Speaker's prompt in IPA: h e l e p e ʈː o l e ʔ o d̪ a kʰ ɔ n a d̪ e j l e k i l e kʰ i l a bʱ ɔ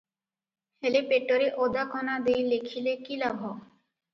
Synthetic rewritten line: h e l e p e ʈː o ɾ e ʔ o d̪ a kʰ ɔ n a d̪ e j l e kʰ i l e k i l a bʱ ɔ